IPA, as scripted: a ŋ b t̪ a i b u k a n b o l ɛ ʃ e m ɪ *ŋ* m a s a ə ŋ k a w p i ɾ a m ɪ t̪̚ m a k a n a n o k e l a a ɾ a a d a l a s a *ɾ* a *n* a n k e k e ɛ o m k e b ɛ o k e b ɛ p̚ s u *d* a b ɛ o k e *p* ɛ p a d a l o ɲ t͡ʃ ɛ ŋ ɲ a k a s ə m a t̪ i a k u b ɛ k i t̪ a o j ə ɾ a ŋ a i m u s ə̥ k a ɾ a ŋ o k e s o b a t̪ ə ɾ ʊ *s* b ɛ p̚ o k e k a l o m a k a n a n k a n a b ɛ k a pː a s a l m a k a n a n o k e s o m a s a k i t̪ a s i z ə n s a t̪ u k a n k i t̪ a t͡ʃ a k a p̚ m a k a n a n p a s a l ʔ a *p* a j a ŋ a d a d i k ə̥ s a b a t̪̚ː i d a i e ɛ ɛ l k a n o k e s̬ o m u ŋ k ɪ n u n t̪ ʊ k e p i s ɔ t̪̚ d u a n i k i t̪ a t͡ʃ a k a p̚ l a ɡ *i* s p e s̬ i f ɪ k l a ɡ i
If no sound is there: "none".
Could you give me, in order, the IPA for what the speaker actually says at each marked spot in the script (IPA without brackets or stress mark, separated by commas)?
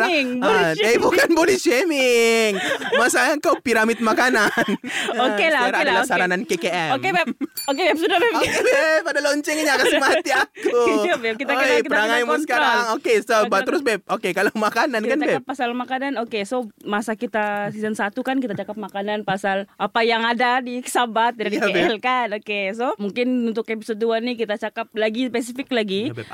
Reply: ŋ, ɾ, n, d, b, s, p, i